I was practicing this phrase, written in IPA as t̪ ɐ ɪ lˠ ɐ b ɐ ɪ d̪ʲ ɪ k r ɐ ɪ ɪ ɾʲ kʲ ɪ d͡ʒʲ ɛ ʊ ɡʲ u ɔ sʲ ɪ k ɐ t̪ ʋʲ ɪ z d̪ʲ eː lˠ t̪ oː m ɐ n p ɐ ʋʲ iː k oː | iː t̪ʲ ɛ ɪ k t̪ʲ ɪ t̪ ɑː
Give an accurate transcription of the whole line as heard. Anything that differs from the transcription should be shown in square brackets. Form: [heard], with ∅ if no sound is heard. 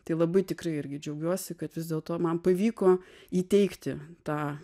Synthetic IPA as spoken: t̪ ɐ ɪ lˠ ɐ b ɐ ɪ [t̪ʲ] ɪ k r ɐ ɪ ɪ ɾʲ [ɡʲ] ɪ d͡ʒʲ ɛ ʊ ɡʲ u ɔ sʲ ɪ k ɐ t̪ ʋʲ ɪ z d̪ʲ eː lˠ t̪ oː m ɐ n p ɐ ʋʲ iː k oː | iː t̪ʲ ɛ ɪ k t̪ʲ ɪ t̪ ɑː